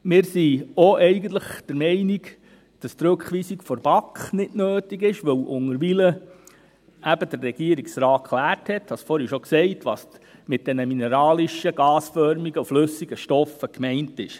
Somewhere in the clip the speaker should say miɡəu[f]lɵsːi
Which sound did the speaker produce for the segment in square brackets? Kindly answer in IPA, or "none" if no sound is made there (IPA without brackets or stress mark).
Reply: f